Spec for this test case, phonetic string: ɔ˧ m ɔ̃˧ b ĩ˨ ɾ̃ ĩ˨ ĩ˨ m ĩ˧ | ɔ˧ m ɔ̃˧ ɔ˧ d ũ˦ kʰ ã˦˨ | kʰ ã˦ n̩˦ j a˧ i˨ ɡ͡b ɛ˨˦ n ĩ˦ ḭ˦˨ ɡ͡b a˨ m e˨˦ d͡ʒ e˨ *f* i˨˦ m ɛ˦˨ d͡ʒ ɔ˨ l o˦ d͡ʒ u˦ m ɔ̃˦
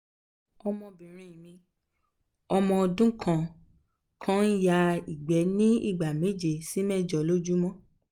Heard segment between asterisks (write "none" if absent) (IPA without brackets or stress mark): s